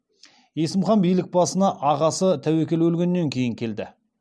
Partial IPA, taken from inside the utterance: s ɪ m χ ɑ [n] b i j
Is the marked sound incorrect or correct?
correct